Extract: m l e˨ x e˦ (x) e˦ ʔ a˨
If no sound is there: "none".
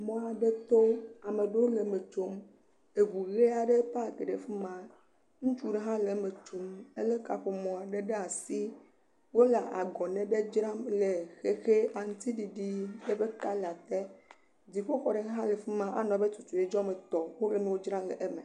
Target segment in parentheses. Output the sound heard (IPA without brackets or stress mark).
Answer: x